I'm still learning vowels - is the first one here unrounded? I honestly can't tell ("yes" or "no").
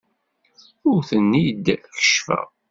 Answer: no